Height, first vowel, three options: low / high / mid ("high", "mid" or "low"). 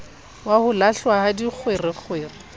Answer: low